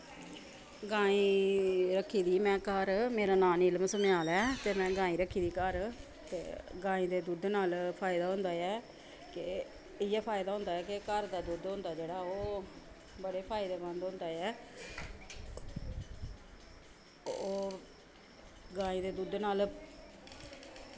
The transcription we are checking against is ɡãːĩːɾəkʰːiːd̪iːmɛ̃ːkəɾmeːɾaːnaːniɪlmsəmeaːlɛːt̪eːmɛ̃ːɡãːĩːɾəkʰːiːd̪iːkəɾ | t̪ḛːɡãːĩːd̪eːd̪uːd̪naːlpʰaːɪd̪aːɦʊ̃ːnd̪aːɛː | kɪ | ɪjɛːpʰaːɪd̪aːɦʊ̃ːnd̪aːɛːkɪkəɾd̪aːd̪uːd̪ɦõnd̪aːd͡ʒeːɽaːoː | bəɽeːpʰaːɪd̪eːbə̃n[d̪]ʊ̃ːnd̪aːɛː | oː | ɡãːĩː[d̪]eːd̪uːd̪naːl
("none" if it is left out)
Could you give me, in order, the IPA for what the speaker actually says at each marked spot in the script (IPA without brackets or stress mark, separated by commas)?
d̪, d̪